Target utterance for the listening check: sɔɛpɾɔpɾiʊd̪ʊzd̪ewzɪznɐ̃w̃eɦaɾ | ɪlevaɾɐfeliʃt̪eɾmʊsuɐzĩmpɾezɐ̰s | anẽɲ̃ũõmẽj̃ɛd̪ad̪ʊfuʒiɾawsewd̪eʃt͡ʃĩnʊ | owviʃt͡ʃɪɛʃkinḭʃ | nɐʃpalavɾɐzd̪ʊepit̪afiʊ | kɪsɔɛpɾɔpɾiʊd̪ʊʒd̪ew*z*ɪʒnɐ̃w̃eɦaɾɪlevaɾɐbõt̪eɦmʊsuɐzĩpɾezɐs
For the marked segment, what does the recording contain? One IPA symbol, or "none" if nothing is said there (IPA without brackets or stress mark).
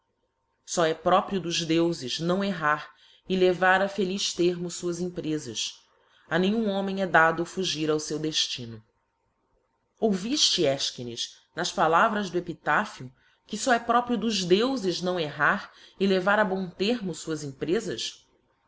z